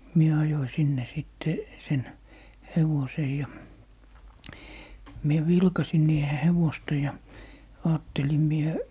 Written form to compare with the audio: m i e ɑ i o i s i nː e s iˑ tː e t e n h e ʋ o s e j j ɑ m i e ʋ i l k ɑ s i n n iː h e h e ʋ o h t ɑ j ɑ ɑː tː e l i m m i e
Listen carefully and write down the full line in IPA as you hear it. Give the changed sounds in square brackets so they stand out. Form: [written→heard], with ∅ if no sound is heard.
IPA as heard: m i e ɑ [i→j] o i s i nː e s iˑ tː e [t→s] e n h e ʋ o s e j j ɑ m i e ʋ i l k ɑ s i n n iː h e h e ʋ o [h→s] t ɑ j ɑ ɑː tː e l i m m i e